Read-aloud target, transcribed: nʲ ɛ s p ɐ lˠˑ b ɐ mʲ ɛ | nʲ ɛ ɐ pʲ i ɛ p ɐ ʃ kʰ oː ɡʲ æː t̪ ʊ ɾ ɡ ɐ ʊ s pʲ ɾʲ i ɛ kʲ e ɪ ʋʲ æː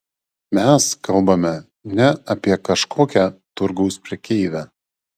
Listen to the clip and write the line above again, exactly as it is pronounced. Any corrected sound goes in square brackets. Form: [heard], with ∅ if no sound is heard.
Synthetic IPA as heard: [mʲ] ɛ s [k] ɐ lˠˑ b ɐ mʲ ɛ | nʲ ɛ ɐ pʲ i ɛ [k] ɐ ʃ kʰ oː [kʲ] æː t̪ ʊ ɾ ɡ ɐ ʊ s pʲ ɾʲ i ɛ kʲ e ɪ ʋʲ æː